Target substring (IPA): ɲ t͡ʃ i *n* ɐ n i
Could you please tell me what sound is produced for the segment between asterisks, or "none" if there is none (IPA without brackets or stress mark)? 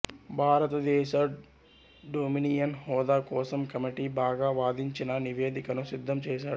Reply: n